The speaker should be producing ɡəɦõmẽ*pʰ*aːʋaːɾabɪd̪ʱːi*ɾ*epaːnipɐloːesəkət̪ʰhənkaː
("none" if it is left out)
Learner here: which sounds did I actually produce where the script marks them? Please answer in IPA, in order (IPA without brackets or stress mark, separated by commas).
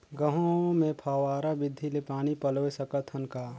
pʰ, l